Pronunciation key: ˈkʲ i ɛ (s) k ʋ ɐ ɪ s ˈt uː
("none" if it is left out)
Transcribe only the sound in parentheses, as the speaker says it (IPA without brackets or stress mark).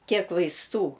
none